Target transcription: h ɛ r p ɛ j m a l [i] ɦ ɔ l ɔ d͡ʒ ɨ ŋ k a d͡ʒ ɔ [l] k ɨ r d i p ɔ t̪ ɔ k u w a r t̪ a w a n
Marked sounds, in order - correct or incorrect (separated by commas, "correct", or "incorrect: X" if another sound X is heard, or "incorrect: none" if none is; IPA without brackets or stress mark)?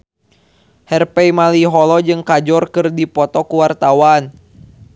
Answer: correct, incorrect: r